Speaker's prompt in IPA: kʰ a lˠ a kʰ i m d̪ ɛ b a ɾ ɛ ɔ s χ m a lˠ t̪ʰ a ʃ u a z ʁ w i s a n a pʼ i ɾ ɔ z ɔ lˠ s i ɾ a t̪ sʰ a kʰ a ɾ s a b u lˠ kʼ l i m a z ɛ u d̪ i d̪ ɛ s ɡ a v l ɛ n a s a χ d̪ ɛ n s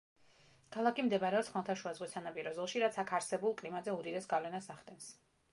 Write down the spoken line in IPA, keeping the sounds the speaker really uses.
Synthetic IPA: kʰ a lˠ a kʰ i m d̪ ɛ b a ɾ ɛ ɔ s χ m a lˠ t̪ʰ a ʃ u a z ʁ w i s a n a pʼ i ɾ ɔ z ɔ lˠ ʃ i ɾ a t̪ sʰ a kʰ a ɾ s ɛ b u lˠ kʼ l i m a z ɛ u d̪ i d̪ ɛ s ɡ a v l ɛ n a s a χ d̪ ɛ n s